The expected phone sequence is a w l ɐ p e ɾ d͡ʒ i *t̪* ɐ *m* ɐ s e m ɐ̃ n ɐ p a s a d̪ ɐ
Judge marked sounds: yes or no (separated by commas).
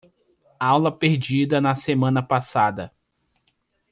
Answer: no, no